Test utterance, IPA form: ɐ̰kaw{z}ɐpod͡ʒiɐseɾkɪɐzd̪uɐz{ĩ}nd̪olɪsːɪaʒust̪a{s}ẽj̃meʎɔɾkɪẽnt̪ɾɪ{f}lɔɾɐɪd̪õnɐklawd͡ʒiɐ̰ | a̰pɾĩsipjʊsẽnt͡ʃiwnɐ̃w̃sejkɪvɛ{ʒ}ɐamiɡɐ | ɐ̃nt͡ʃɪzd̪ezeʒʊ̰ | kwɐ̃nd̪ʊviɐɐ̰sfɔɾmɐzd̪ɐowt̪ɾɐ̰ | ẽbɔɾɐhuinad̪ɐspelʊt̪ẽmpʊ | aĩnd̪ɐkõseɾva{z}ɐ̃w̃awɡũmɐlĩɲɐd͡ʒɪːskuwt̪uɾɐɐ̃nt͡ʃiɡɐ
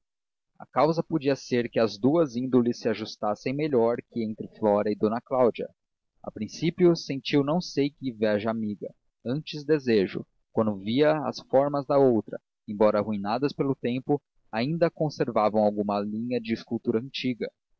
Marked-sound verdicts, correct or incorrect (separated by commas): correct, correct, correct, correct, correct, incorrect